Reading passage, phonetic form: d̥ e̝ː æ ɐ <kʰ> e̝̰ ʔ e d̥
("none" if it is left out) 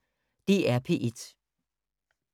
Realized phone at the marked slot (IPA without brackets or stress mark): pʰ